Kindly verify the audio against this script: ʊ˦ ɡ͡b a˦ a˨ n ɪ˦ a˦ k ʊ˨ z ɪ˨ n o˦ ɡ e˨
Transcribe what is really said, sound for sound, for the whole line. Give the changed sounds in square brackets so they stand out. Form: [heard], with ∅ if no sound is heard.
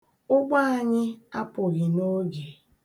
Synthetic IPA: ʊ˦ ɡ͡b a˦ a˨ [ɲ] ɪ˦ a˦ [p] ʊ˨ [ɣ] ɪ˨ n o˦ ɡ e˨